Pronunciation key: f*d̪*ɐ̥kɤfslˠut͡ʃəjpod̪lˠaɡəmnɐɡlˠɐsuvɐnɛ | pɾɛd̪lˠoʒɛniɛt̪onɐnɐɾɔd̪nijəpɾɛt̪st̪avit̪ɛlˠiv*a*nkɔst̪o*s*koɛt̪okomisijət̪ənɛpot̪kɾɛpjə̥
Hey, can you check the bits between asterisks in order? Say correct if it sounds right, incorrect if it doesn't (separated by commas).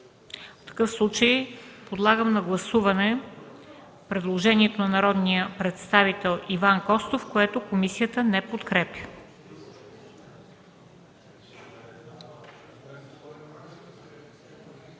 incorrect, correct, incorrect